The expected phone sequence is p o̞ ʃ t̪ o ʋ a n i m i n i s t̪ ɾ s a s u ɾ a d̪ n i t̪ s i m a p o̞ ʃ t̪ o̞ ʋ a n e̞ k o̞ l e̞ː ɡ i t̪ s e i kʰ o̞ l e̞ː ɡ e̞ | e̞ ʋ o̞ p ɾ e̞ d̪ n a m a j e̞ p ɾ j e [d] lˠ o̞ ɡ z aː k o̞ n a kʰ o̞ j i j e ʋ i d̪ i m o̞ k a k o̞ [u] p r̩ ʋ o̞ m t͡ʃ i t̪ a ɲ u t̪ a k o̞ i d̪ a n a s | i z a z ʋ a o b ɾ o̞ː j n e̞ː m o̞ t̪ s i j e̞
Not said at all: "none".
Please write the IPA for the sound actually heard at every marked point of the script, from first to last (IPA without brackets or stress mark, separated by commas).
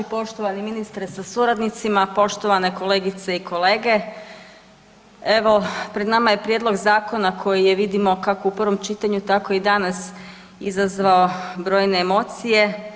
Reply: d, u